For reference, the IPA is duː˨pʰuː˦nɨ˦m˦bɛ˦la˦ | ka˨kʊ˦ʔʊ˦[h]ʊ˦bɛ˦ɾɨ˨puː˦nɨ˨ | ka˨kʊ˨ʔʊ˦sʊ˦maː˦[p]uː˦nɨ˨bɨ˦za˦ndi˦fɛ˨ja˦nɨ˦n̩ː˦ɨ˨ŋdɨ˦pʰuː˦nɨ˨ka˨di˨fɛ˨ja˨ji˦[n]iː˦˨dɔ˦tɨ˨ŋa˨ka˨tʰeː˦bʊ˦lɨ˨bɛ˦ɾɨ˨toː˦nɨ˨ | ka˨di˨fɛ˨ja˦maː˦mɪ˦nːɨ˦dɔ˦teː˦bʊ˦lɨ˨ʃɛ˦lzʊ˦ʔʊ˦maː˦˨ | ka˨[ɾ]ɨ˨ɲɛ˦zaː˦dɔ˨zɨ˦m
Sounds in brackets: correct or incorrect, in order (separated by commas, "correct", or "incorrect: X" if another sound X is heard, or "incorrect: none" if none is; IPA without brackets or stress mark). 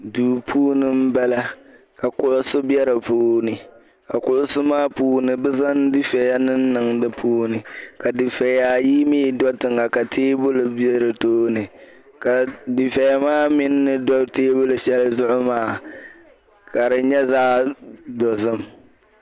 incorrect: s, correct, incorrect: m, correct